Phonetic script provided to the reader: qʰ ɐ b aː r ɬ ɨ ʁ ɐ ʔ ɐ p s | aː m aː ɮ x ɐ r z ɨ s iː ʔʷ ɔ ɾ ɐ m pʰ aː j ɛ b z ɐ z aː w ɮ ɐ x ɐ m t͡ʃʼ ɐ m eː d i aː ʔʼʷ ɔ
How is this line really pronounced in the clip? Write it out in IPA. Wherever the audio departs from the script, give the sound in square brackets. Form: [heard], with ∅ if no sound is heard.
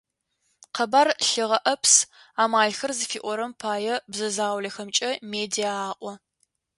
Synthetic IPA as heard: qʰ ɐ b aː r ɬ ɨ ʁ ɐ ʔ ɐ p s | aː m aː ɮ x ɐ r z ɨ [f] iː ʔʷ ɔ ɾ ɐ m pʰ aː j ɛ b z ɐ z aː w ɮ ɐ x ɐ m t͡ʃʼ ɐ m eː d i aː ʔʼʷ ɔ